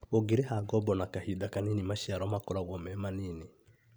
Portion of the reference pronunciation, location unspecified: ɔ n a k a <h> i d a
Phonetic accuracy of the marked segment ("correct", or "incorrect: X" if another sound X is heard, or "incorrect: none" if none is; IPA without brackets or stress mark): correct